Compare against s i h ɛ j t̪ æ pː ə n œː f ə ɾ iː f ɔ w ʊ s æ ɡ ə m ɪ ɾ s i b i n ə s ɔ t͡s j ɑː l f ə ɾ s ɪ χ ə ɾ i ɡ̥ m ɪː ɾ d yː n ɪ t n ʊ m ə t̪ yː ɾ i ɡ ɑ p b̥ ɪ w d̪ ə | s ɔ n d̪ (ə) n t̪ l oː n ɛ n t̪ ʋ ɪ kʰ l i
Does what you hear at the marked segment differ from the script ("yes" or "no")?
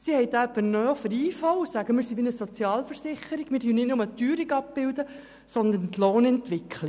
no